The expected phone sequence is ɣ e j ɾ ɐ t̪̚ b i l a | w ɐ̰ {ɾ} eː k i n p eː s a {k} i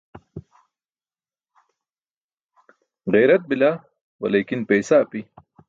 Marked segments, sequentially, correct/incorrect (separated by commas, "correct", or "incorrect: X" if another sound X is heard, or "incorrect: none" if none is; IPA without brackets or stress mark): incorrect: l, incorrect: p